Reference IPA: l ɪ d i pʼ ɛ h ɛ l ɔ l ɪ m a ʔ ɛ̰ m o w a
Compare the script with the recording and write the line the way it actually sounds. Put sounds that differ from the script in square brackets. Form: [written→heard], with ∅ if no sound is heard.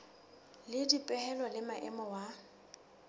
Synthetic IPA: l ɪ d i pʼ ɛ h ɛ l ɔ l ɪ m a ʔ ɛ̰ m [o→ɔ] w a